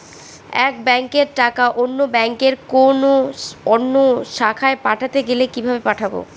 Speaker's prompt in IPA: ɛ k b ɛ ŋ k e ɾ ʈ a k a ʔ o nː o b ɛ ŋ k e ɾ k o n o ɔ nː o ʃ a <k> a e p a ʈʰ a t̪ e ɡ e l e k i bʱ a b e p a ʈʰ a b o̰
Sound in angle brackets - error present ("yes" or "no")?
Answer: yes